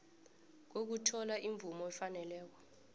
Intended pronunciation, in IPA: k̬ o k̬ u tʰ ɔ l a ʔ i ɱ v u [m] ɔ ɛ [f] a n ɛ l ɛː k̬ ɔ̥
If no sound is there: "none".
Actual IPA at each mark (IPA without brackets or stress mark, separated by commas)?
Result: m, f